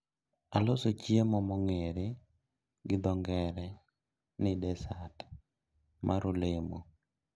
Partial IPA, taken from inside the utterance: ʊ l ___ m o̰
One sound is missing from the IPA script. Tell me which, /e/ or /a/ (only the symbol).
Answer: e